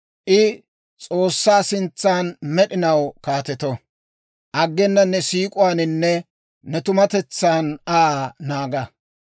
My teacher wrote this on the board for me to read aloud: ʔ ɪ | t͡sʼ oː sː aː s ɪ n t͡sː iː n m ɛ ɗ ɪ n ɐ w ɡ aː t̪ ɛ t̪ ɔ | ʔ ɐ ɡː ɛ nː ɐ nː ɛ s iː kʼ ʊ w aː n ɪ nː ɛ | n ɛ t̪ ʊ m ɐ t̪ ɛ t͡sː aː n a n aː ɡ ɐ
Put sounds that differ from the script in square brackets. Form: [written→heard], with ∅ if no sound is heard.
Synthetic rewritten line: ʔ ɪ | t͡sʼ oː sː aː s ɪ n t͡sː [iː→aː] n m ɛ ɗ ɪ n ɐ w [ɡ→k] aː t̪ ɛ t̪ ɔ | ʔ ɐ ɡː ɛ nː ɐ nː ɛ s iː kʼ ʊ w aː n ɪ nː ɛ | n ɛ t̪ ʊ m ɐ t̪ ɛ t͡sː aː n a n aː ɡ ɐ

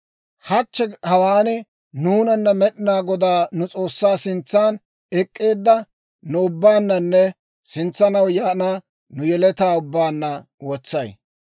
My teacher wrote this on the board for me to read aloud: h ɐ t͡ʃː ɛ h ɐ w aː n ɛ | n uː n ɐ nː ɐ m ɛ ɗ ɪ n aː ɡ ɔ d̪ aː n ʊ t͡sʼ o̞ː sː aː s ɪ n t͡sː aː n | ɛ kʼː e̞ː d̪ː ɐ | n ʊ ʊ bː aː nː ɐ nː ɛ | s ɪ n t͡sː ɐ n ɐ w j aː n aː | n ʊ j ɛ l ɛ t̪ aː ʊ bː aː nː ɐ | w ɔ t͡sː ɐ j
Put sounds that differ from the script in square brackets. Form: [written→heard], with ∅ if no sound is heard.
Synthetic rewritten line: h ɐ t͡ʃː ɛ h ɐ w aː n ɛ | n uː n ɐ nː ɐ m ɛ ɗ ɪ n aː ɡ ɔ d̪ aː n ʊ t͡sʼ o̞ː sː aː s ɪ n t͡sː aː n | ɛ kʼː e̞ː d̪ː ɐ | n ʊ ʊ bː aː nː ɐ nː ɛ | s ɪ n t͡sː ɐ n ɐ w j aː n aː | n ʊ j ɛ l ɛ t̪ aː ʊ bː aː nː ɐ | w ɔ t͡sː ɐ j

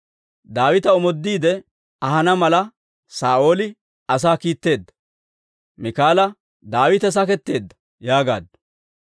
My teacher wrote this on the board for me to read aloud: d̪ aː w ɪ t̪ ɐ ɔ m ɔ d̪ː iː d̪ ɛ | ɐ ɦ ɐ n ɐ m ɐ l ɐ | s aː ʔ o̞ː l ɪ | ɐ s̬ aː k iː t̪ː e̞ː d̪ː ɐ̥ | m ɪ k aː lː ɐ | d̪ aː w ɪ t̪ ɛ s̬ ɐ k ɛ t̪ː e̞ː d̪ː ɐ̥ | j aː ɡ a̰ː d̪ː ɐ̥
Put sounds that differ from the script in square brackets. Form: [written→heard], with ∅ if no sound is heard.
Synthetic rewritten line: d̪ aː w ɪ t̪ ɐ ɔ m ɔ d̪ː iː d̪ ɛ | ɐ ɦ ɐ n ɐ m ɐ l ɐ | s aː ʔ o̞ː l ɪ | ɐ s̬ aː k iː t̪ː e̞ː d̪ː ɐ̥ | m ɪ k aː [lː→l] ɐ | d̪ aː w ɪ t̪ ɛ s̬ ɐ k ɛ t̪ː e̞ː d̪ː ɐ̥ | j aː ɡ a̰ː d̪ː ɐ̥

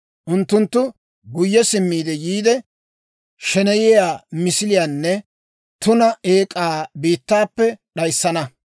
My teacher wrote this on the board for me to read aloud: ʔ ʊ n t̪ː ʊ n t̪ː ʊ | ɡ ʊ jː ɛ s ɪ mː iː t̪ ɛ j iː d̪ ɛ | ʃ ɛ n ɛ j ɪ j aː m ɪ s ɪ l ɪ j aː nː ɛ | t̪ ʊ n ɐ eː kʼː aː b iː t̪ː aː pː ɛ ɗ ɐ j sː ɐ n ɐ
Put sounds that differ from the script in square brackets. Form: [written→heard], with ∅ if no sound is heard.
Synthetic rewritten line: ʔ ʊ n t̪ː ʊ n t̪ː ʊ | ɡ ʊ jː ɛ s ɪ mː iː [t̪→d̪] ɛ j iː d̪ ɛ | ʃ ɛ n ɛ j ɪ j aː m ɪ s ɪ l ɪ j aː nː ɛ | t̪ ʊ n ɐ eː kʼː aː b iː t̪ː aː pː ɛ ɗ ɐ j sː ɐ n ɐ

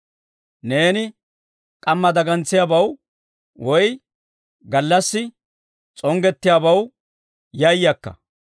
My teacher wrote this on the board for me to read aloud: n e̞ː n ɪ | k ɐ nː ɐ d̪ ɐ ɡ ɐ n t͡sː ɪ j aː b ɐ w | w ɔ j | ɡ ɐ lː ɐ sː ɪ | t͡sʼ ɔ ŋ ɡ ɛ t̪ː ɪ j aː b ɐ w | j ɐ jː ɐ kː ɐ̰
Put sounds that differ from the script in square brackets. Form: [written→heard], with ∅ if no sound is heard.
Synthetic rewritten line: n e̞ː n ɪ | [k→kʼ] ɐ [nː→mː] ɐ d̪ ɐ ɡ ɐ n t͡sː ɪ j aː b ɐ w | w ɔ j | ɡ ɐ lː ɐ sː ɪ | t͡sʼ ɔ ŋ ɡ ɛ t̪ː ɪ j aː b ɐ w | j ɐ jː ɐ kː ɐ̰

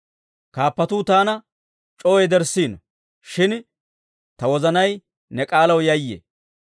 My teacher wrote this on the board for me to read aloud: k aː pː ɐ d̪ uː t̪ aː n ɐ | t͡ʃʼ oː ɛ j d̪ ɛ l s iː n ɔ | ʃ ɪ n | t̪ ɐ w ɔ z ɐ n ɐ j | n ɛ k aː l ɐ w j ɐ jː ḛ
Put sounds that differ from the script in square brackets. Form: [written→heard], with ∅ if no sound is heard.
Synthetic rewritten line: k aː pː ɐ [d̪→t̪] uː t̪ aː n ɐ | t͡ʃʼ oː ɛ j d̪ ɛ [l→ɾ] s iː n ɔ | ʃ ɪ n | t̪ ɐ w ɔ z ɐ n ɐ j | n ɛ [k→kʼ] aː l ɐ w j ɐ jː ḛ

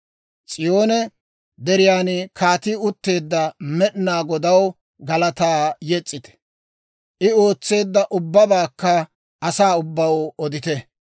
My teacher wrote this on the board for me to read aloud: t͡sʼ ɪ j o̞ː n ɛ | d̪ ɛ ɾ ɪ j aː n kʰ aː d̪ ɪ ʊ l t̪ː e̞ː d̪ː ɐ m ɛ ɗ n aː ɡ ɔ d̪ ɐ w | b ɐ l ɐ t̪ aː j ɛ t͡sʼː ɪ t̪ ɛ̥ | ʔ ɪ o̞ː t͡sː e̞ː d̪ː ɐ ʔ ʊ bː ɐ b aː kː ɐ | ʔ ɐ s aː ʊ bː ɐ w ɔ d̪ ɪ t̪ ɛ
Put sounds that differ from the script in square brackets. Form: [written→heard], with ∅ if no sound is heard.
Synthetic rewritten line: t͡sʼ ɪ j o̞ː n ɛ | d̪ ɛ ɾ ɪ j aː n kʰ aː [d̪→t̪] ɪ ʊ [l→∅] t̪ː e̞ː d̪ː ɐ m ɛ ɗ n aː ɡ ɔ d̪ ɐ w | [b→ɡ] ɐ l ɐ t̪ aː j ɛ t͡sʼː ɪ t̪ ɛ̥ | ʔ ɪ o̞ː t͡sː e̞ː d̪ː ɐ ʔ ʊ bː ɐ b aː kː ɐ | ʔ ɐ s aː ʊ bː ɐ w ɔ d̪ ɪ t̪ ɛ

